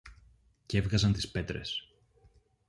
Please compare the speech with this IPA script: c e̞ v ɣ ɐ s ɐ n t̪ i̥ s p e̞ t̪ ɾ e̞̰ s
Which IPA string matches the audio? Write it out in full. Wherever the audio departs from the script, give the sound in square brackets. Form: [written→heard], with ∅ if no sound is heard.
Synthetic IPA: c e̞ v ɣ ɐ [s→z] ɐ n t̪ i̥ s p e̞ t̪ ɾ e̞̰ s